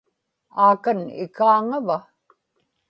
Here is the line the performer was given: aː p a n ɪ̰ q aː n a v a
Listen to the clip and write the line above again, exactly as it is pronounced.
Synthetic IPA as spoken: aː k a n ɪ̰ k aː ŋ a v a